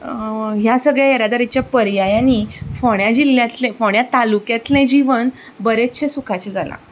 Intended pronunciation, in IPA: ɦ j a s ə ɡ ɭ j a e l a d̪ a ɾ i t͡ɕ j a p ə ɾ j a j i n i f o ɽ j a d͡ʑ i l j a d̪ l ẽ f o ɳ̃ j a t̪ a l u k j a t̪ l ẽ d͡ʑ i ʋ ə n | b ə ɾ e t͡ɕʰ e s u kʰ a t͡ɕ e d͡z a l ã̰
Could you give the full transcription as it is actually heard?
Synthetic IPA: ɦ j a s ə ɡ ɭ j a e ɾ a d̪ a ɾ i t͡ɕ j a p ə ɾ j a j a n i f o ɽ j a d͡ʑ i l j a t̪ l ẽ f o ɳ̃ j a t̪ a l u k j a t̪ l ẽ d͡ʑ i ʋ ə n | b ə ɾ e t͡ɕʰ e s u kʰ a t͡ɕ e d͡z a l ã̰